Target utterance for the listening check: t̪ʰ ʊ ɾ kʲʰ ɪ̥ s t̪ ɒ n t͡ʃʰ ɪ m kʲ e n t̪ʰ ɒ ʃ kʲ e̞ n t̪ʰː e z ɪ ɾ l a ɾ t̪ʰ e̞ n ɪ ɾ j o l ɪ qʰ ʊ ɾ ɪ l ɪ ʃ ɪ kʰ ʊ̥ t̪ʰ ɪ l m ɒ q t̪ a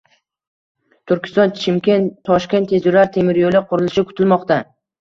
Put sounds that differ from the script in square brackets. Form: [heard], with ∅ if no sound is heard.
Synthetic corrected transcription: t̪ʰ ʊ ɾ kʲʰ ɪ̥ s t̪ ɒ n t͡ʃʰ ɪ m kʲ e n t̪ʰ ɒ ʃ kʲ e̞ n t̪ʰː e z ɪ ɾ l a ɾ t̪ʰ e̞ [m] ɪ ɾ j o l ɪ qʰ ʊ ɾ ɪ l ɪ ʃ ɪ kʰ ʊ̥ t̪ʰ ɪ l m ɒ q t̪ a